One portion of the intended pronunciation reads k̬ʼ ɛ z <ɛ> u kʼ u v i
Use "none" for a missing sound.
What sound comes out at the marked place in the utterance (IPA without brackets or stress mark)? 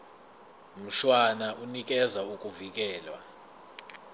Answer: a